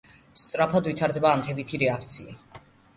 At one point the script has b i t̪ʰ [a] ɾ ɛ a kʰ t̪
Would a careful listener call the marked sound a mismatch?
yes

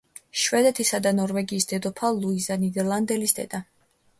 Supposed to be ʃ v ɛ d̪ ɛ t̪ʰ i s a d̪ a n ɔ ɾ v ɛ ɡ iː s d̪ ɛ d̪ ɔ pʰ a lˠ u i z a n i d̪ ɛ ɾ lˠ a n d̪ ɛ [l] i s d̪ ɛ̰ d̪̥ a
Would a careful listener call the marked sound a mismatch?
no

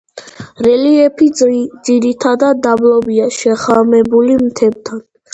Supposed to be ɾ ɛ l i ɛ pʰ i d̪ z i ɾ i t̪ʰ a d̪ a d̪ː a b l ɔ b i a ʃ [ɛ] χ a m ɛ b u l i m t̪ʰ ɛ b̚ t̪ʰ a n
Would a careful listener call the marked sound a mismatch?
no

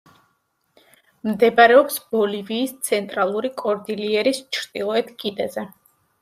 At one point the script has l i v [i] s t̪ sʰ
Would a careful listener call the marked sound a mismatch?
yes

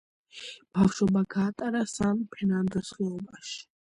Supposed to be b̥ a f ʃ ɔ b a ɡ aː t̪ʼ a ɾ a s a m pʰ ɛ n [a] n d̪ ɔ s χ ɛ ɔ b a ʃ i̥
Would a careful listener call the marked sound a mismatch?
no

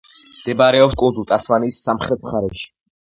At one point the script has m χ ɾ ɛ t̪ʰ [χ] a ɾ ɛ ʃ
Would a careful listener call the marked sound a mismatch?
no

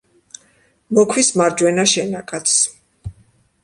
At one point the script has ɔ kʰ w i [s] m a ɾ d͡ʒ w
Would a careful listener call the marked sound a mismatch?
no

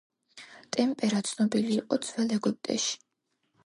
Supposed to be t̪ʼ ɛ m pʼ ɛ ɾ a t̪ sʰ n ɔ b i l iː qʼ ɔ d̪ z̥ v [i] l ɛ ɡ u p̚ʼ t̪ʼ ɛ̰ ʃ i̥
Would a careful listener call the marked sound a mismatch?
yes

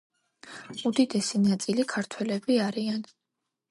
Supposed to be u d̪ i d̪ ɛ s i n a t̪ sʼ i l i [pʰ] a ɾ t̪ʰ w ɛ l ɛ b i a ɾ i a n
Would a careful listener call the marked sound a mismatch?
yes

